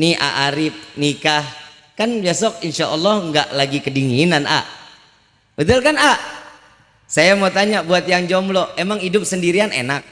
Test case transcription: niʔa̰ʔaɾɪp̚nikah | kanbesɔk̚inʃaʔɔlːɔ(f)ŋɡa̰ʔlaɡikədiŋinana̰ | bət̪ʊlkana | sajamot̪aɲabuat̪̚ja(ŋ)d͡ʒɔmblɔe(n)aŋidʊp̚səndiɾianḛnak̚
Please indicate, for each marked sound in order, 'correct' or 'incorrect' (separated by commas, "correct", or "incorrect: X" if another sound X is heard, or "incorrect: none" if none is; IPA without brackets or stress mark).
incorrect: h, correct, incorrect: m